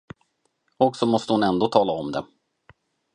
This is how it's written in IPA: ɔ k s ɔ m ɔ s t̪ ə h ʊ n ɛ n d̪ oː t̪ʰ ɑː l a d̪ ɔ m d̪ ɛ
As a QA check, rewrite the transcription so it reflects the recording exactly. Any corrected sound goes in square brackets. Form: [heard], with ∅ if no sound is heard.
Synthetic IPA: ɔ k s ɔ m ɔ s t̪ ə h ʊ n ɛ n d̪ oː t̪ʰ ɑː l a [∅] ɔ m d̪ ɛ